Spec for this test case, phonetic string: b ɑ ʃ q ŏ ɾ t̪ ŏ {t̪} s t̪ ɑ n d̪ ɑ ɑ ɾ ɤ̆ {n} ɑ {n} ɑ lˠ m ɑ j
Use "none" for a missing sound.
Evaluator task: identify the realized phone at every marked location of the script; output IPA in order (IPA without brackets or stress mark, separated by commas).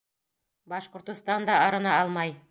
none, n, none